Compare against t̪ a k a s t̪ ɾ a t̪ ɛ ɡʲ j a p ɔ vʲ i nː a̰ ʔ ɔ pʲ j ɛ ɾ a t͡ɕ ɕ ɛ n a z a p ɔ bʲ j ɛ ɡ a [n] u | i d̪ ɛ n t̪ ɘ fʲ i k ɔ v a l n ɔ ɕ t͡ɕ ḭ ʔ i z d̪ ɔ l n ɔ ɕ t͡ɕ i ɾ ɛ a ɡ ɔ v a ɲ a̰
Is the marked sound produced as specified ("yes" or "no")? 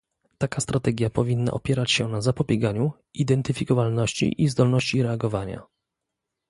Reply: no